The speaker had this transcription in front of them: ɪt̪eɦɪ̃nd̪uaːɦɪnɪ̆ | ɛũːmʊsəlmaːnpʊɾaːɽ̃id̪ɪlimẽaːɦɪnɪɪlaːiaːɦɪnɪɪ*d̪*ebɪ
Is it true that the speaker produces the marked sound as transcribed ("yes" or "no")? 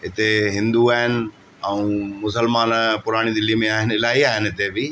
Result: no